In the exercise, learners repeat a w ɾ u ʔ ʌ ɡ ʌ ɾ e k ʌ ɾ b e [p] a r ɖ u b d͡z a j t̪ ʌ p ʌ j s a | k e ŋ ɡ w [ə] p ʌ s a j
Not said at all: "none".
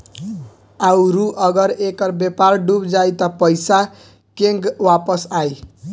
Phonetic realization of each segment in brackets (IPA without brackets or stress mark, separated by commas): p, a